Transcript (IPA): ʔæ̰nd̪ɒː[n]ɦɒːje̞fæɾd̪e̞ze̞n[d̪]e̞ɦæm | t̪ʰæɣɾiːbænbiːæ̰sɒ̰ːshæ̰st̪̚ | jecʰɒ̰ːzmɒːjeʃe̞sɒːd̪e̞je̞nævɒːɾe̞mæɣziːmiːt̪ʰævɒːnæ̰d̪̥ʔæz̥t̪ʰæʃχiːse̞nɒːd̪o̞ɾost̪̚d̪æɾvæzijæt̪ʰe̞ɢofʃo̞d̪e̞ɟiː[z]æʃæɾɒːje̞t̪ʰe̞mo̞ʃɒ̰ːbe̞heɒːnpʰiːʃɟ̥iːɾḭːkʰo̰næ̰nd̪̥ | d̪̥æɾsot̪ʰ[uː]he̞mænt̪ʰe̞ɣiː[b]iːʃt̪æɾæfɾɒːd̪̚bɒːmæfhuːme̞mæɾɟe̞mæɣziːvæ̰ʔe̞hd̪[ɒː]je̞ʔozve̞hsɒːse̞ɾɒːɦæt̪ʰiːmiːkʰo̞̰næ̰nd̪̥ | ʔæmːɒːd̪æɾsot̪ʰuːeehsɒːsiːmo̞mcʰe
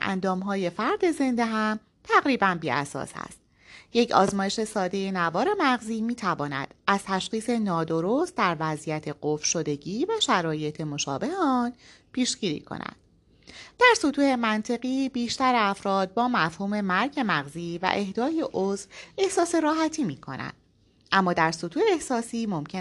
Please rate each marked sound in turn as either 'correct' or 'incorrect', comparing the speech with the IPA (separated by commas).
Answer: incorrect, correct, incorrect, correct, correct, correct